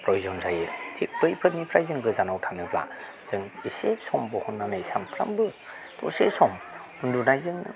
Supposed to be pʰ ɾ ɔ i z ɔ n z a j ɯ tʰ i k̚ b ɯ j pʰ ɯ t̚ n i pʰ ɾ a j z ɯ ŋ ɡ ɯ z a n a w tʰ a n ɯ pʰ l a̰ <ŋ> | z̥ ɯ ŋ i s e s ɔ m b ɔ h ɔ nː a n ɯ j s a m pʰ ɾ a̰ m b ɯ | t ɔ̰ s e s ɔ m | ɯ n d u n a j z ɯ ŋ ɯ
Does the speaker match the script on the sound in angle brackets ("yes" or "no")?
no